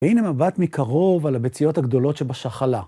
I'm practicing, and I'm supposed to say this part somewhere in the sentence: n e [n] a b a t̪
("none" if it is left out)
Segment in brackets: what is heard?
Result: m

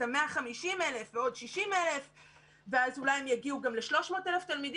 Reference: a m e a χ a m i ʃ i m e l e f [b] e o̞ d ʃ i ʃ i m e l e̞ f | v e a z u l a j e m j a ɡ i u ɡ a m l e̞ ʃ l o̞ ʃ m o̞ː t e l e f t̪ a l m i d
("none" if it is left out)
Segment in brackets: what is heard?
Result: v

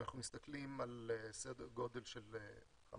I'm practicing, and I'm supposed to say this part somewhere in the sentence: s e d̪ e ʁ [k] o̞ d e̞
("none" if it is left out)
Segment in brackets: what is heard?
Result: ɡ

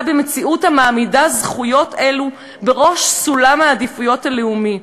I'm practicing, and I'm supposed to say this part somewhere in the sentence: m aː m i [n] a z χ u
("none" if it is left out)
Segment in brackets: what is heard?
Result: d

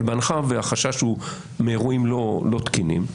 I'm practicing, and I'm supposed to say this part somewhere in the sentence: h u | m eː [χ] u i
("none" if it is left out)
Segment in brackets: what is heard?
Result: ʁ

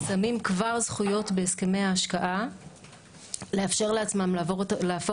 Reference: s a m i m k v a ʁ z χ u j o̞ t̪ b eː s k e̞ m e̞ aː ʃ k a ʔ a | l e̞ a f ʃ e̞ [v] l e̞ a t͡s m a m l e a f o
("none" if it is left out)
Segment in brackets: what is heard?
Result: ʁ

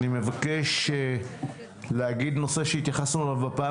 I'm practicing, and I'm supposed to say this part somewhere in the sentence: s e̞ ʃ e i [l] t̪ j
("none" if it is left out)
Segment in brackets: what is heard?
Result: none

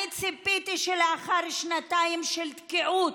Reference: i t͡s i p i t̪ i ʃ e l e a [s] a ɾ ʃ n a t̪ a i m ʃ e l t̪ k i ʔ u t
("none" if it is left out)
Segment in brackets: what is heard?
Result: χ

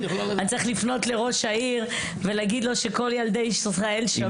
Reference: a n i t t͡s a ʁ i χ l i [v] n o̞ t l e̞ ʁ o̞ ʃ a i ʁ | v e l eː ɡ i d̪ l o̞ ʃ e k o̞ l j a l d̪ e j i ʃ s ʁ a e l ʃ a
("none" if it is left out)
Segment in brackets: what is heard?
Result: f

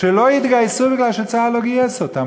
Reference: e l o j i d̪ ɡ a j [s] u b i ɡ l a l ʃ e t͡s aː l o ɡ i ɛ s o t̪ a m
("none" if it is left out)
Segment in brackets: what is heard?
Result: s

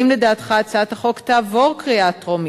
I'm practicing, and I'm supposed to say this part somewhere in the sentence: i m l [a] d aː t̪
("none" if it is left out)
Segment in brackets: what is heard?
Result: e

